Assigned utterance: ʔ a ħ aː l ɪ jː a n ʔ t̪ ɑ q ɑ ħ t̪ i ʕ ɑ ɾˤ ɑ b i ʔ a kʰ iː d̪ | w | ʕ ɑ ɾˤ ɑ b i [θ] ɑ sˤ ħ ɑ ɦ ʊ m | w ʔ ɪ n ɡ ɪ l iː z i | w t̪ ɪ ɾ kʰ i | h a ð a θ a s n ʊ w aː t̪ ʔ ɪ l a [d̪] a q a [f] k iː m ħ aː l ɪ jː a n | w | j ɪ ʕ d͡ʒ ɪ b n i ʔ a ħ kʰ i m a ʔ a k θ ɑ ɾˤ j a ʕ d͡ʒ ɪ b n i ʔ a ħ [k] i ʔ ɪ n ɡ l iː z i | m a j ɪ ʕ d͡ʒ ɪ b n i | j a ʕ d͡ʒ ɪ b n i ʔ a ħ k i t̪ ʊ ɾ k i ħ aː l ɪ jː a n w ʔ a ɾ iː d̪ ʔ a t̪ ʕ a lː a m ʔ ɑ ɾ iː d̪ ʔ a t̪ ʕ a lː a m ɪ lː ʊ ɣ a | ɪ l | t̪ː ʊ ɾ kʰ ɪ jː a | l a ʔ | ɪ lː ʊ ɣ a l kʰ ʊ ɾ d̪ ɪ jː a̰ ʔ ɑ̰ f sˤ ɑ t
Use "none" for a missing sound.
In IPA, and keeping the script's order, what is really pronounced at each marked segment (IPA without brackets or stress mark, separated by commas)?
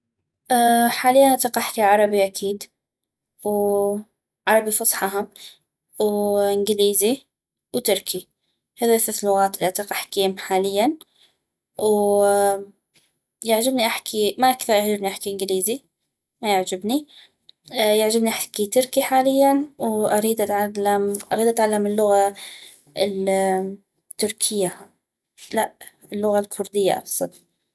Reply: f, t̪, ħ, k